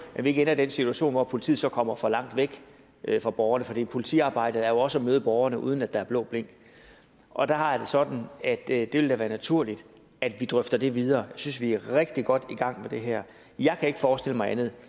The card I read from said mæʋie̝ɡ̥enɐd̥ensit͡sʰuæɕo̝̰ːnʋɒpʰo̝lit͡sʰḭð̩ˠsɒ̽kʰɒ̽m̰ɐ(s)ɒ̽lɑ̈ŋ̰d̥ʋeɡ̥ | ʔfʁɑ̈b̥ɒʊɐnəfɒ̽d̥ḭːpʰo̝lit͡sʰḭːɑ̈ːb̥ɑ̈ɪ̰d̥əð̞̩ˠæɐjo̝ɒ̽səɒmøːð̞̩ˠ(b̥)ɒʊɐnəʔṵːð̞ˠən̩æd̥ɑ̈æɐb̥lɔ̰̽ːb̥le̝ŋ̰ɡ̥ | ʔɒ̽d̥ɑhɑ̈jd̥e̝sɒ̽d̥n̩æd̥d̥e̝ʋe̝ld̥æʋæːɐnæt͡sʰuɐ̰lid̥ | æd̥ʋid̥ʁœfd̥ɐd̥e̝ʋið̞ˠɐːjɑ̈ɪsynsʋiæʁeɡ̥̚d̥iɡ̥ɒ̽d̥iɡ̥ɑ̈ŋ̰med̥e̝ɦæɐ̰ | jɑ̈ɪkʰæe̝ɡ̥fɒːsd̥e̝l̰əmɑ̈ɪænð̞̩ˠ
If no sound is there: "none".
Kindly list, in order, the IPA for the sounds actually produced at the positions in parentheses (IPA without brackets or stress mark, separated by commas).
f, b̥